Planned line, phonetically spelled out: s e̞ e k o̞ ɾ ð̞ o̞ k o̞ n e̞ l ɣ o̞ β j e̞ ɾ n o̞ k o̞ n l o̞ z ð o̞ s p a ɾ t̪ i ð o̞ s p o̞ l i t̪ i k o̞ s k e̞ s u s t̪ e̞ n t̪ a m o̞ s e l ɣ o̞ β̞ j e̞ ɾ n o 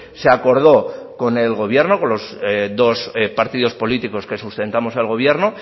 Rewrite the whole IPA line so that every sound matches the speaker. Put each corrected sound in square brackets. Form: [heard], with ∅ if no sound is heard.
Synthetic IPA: s e̞ [a] k o̞ ɾ ð̞ o̞ k o̞ n e̞ l ɣ o̞ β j e̞ ɾ n o̞ k o̞ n l o̞ z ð o̞ s p a ɾ t̪ i ð o̞ s p o̞ l i t̪ i k o̞ s k e̞ s u s t̪ e̞ n t̪ a m o̞ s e l ɣ o̞ β̞ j e̞ ɾ n o